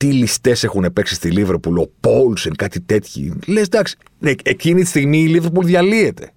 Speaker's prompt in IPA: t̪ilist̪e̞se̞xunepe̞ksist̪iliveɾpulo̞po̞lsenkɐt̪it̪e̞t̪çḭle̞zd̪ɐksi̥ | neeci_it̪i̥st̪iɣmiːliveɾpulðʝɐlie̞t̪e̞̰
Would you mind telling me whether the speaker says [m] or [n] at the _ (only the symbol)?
n